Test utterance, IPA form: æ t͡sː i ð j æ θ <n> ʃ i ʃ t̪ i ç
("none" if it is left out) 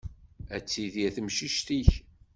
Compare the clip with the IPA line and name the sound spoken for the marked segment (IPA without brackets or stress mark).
m